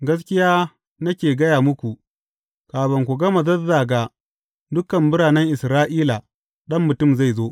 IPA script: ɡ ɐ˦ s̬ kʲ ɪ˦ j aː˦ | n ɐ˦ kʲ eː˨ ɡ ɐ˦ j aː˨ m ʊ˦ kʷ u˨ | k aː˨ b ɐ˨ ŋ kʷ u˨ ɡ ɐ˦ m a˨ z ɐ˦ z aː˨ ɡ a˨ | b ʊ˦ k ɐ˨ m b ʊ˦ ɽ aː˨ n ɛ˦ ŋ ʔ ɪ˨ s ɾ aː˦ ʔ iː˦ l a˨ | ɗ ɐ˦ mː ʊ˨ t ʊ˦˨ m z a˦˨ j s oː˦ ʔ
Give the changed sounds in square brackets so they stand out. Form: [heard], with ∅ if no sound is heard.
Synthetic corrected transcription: ɡ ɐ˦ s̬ kʲ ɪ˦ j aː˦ | n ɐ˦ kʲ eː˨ ɡ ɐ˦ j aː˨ m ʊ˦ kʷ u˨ | k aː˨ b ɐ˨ ŋ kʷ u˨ ɡ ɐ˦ m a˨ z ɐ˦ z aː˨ ɡ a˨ | [d] ʊ˦ k ɐ˨ m b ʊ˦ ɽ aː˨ n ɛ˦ ŋ ʔ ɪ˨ s ɾ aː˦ ʔ iː˦ l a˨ | ɗ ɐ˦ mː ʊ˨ t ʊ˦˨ m z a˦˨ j [z] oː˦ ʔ